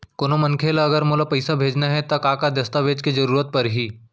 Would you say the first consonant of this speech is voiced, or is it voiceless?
voiceless